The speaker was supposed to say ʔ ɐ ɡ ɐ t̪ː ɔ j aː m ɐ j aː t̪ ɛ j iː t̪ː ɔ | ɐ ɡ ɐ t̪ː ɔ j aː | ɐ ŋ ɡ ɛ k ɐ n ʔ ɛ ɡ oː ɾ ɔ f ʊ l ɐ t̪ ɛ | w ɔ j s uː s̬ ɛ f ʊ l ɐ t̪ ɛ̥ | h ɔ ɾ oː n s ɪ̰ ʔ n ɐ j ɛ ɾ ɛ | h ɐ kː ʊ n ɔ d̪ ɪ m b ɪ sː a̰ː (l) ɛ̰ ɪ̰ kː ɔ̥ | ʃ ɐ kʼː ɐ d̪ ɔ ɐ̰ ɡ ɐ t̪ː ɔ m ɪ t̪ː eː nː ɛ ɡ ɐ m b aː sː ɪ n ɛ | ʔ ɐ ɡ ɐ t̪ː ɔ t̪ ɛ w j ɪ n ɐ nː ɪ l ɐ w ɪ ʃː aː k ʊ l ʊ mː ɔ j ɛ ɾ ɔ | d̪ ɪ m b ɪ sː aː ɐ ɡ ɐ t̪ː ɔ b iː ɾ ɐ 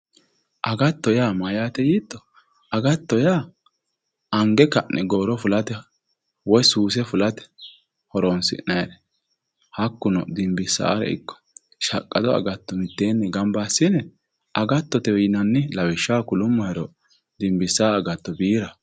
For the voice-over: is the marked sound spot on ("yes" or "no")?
no